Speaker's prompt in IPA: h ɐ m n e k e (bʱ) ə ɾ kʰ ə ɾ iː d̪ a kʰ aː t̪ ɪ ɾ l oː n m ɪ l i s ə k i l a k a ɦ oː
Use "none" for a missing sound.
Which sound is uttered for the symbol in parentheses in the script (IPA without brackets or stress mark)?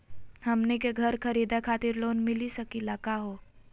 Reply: ɡʱ